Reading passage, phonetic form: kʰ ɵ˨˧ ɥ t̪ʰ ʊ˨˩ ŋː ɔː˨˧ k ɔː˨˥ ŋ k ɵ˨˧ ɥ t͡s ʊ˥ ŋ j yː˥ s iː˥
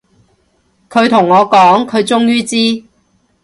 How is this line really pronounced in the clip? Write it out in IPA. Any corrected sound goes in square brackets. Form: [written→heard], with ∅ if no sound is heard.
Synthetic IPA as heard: kʰ ɵ˨˧ ɥ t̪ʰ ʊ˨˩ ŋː ɔː˨˧ k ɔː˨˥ ŋ [k→kʰ] ɵ˨˧ ɥ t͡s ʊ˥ ŋ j yː˥ [s→t͡s] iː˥